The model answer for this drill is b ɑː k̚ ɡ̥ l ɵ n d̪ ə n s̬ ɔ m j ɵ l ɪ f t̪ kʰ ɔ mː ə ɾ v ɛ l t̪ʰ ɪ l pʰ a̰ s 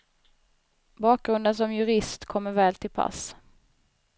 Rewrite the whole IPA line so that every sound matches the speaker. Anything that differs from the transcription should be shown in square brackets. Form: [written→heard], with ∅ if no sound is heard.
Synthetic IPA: b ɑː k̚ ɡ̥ [l→ɾ] ɵ n d̪ ə n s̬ ɔ m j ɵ [l→ɾ] ɪ [f→s] t̪ kʰ ɔ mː ə ɾ v [ɛ→ɛː] l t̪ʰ ɪ l pʰ a̰ s